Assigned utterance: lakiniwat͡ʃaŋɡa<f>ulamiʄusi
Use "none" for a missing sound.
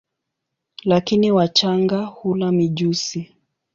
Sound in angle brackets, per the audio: h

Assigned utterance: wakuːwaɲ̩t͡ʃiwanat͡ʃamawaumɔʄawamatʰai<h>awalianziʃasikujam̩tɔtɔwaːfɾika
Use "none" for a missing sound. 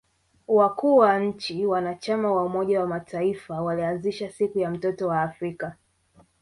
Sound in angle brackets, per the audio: f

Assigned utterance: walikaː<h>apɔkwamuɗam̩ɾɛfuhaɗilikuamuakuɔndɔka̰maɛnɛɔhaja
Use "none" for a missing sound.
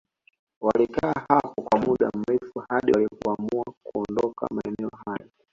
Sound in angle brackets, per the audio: h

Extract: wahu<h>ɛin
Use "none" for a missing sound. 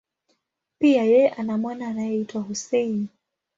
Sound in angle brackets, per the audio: s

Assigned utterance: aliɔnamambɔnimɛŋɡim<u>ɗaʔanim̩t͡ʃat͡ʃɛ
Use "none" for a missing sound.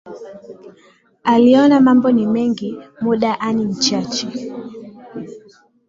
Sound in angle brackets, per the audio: u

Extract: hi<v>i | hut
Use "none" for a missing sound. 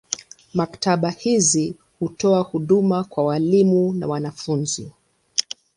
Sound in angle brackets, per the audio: z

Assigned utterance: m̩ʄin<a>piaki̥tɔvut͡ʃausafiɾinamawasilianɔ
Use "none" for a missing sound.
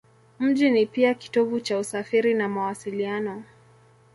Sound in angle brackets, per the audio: i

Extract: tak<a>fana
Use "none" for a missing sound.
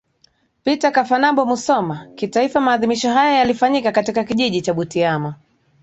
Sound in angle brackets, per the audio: a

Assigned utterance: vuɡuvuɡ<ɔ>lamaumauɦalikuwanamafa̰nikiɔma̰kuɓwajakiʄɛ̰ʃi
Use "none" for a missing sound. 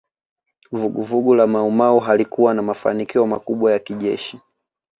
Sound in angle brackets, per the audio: u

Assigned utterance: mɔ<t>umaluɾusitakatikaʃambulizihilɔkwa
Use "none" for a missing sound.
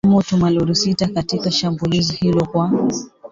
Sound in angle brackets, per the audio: t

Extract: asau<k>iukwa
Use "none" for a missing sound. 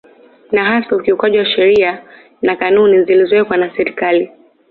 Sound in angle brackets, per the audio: k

